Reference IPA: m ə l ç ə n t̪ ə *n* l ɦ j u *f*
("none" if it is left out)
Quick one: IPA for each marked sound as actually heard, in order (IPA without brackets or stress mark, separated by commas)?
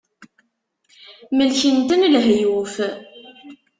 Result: n, f